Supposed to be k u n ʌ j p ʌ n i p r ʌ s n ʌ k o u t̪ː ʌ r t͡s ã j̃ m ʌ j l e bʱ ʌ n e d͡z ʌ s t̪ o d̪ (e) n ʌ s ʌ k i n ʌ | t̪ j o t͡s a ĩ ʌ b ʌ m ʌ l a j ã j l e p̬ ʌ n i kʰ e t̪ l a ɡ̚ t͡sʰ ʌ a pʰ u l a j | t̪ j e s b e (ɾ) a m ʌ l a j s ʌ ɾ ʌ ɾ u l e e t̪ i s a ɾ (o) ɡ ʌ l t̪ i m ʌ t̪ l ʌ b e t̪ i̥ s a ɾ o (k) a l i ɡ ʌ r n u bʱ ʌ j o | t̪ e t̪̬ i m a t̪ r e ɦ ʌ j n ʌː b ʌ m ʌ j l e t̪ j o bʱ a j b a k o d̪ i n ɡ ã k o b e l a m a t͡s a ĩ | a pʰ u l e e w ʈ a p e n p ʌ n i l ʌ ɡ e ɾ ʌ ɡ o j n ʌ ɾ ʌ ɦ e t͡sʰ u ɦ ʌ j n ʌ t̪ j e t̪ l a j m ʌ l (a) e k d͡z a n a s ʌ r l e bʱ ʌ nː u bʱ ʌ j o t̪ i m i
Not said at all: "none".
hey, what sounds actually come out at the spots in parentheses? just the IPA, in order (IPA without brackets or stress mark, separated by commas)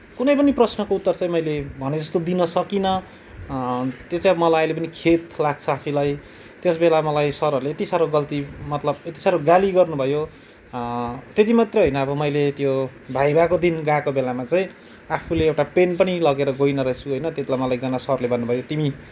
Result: i, l, o, ɡ, a